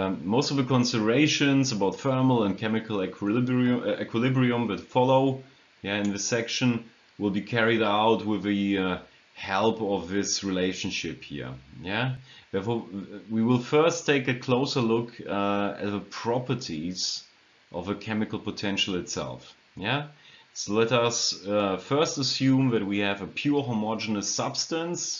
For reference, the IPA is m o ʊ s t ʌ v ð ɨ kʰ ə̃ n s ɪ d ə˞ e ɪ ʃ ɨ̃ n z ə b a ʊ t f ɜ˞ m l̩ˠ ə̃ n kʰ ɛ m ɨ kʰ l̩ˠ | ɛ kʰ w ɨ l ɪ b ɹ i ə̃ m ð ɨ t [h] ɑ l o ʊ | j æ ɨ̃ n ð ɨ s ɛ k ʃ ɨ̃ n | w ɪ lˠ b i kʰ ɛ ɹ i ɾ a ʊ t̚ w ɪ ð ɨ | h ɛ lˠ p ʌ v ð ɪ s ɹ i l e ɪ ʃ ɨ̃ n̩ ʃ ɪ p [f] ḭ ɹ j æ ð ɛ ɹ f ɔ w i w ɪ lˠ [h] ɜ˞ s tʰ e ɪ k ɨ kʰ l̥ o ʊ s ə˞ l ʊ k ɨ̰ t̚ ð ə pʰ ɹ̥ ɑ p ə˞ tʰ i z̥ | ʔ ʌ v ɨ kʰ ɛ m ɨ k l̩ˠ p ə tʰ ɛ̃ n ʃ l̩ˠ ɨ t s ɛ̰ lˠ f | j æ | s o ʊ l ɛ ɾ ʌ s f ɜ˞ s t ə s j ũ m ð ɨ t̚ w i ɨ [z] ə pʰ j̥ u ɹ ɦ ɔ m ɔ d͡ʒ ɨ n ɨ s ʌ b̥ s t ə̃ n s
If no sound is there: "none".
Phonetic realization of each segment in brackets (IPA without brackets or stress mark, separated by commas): f, h, f, v